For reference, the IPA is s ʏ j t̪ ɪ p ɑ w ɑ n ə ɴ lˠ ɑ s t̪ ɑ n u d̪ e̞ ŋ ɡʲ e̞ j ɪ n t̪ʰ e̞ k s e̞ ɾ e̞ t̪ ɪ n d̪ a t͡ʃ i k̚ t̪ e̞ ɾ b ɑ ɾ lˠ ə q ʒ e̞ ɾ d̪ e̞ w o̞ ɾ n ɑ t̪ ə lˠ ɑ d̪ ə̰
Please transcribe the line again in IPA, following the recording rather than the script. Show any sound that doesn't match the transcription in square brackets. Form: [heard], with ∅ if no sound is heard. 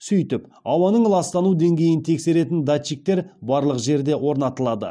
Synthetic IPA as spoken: s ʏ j t̪ ɪ p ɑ w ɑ n ə ɴ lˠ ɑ s t̪ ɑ n u d̪ e̞ ŋ ɡʲ e̞ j ɪ n t̪ʰ e̞ k s e̞ ɾ e̞ t̪ ɪ n d̪ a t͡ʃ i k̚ t̪ e̞ ɾ b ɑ ɾ lˠ ə q ʒ e̞ ɾ d̪ e̞ w o̞ ɾ n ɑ t̪ ə lˠ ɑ d̪ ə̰

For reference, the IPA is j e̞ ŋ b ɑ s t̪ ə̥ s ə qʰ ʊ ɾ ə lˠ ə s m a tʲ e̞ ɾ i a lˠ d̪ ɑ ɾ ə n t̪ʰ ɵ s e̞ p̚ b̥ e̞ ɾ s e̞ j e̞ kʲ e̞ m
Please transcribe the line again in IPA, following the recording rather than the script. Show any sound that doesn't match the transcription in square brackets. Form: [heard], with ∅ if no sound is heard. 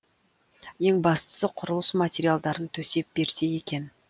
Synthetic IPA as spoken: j e̞ ŋ b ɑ s t̪ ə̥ s ə qʰ ʊ ɾ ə lˠ ə s m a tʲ e̞ ɾ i a lˠ d̪ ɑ ɾ ə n t̪ʰ ɵ s e̞ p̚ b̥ e̞ ɾ s e̞ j e̞ kʲ e̞ [n]

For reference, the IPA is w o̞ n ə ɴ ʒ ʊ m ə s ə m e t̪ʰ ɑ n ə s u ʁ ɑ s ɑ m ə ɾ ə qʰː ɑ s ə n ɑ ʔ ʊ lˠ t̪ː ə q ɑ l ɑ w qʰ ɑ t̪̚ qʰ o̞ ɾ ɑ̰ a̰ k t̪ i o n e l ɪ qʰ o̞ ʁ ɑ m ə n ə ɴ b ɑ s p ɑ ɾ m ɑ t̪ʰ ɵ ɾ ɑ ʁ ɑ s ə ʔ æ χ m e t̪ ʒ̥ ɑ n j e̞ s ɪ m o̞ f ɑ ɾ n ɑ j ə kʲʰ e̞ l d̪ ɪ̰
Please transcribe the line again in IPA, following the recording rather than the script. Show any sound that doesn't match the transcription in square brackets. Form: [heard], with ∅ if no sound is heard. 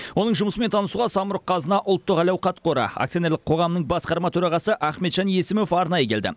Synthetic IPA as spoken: w o̞ n ə ɴ ʒ ʊ m ə s ə m e t̪ʰ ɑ n ə s u ʁ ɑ s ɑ m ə ɾ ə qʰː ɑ [z] ə n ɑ ʔ ʊ lˠ t̪ː ə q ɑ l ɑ w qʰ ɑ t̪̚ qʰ o̞ ɾ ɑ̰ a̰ k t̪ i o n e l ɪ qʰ o̞ ʁ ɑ m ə n ə ɴ b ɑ s [q] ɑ ɾ m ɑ t̪ʰ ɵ ɾ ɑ ʁ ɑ s ə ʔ æ χ m e t̪ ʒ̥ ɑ n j e̞ s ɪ m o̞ f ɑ ɾ n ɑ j ə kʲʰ e̞ l d̪ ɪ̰

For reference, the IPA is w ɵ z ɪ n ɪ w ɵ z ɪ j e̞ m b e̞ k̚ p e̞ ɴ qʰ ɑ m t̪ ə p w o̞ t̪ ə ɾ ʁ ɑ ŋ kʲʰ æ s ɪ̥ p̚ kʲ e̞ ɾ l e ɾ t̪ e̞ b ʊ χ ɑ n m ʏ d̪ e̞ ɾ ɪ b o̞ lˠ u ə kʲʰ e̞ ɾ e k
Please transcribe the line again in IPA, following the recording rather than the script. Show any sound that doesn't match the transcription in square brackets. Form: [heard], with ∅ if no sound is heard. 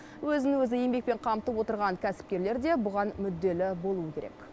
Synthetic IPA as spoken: w ɵ z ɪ n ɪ w ɵ z ɪ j e̞ m b e̞ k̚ p e̞ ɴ qʰ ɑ m t̪ ə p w o̞ t̪ ə ɾ ʁ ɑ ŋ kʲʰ æ s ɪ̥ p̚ kʲ e̞ ɾ l e ɾ [d̪] e̞ b ʊ [ʁ] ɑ n m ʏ [d̪ː] e̞ [l] ɪ b o̞ lˠ u ə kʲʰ e̞ ɾ e k

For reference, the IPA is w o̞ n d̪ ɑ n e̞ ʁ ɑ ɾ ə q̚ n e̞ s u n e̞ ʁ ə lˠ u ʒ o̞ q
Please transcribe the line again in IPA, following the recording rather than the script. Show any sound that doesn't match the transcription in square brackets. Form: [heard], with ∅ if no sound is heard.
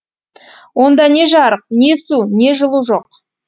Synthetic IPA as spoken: w o̞ n d̪ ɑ n e̞ [ʒ] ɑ ɾ ə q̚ n e̞ s u n e̞ [ʒ] ə lˠ u ʒ o̞ q

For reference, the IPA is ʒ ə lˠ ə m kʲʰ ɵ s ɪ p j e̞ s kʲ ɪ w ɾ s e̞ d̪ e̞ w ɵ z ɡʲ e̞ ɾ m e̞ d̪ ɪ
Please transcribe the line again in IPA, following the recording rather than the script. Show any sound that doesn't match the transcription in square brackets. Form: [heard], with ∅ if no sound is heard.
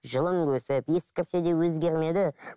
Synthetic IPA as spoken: ʒ ə lˠ ə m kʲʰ ɵ s ɪ p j e̞ s kʲ ɪ [∅] ɾ s e̞ d̪ e̞ w ɵ z ɡʲ e̞ ɾ m e̞ d̪ ɪ

